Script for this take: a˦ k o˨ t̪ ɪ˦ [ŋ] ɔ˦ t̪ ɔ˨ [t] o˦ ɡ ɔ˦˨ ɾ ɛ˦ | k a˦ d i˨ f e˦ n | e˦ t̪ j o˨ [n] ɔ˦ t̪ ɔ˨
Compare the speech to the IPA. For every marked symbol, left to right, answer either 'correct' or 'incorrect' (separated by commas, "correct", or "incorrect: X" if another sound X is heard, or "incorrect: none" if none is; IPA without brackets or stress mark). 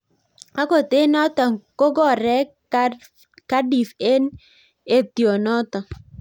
incorrect: n, incorrect: k, correct